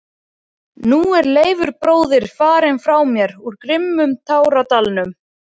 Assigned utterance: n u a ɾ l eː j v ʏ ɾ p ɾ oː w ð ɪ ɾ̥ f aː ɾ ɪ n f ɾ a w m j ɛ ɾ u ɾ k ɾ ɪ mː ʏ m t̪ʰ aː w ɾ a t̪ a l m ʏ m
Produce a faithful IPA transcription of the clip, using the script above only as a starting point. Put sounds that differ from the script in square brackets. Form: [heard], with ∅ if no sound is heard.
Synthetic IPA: n u [ɛ] ɾ l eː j v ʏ ɾ p ɾ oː w ð ɪ ɾ̥ f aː ɾ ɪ n f ɾ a w m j ɛ ɾ u ɾ k ɾ ɪ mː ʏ m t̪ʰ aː w ɾ a t̪ a l [n] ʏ m